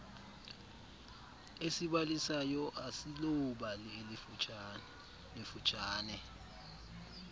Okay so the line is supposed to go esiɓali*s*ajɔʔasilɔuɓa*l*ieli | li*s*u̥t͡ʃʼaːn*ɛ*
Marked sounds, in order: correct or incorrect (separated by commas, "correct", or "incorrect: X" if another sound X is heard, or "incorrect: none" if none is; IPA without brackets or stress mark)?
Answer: correct, correct, incorrect: f, correct